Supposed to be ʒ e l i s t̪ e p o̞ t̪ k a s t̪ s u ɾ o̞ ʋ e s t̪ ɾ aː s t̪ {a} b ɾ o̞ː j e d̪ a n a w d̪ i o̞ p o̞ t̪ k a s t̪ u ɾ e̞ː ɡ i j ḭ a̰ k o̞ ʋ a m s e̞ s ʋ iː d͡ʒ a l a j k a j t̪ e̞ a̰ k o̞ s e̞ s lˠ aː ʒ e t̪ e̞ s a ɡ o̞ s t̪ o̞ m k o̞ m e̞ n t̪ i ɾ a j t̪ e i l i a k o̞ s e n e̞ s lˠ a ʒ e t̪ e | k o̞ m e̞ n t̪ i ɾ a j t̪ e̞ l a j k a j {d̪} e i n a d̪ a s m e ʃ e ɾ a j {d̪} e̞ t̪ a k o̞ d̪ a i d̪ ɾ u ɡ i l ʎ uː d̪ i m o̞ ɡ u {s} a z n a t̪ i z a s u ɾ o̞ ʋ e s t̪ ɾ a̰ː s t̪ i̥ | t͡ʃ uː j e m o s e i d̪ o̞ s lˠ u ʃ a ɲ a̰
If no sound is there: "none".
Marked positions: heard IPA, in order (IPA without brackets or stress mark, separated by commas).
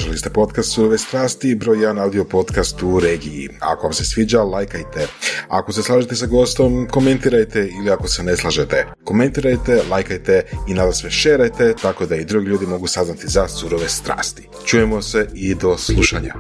i, t̪, t̪, s